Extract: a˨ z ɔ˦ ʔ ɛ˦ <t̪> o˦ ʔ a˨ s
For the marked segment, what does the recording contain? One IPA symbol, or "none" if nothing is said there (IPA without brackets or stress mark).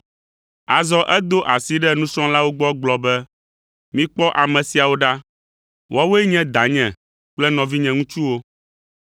d̪